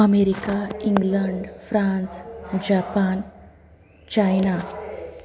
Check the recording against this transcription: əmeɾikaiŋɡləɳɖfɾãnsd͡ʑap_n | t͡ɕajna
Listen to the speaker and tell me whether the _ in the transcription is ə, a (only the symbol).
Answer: a